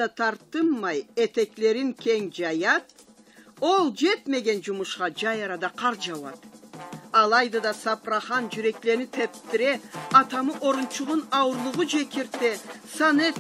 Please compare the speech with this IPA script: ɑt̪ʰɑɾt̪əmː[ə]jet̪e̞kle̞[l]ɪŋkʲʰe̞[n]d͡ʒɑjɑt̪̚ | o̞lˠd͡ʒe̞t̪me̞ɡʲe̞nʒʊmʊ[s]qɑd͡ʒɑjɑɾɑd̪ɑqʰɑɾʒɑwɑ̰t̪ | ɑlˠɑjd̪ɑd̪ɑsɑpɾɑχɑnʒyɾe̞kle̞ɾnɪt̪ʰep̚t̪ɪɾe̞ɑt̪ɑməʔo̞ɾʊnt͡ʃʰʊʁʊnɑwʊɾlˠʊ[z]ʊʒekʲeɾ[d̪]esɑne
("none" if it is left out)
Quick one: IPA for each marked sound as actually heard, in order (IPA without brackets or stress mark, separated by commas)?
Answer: ɑ, ɾ, ŋ, ʃ, ʁ, t̪